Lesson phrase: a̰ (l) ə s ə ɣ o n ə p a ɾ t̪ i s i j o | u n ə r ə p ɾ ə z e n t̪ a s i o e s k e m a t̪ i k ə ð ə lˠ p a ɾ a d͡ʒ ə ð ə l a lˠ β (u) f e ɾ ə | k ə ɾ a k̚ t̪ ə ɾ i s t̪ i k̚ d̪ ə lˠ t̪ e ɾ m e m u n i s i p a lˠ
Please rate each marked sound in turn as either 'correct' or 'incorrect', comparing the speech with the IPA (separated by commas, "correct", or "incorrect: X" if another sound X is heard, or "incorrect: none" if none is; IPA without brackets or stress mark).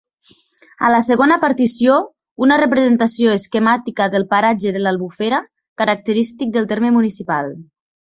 correct, correct